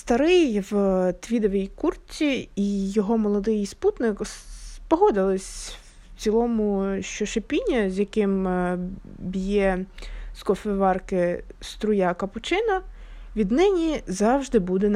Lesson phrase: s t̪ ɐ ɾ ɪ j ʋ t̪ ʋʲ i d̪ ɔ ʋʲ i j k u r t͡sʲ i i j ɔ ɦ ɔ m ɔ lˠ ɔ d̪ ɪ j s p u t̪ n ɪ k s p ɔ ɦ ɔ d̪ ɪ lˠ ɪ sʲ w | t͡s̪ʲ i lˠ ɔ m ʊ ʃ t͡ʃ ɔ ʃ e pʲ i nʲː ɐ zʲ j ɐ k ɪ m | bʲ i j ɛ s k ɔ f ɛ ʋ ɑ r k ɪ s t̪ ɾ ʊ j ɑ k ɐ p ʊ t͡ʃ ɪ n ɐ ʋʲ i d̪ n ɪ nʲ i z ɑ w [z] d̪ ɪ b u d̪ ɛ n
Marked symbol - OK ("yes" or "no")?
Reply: no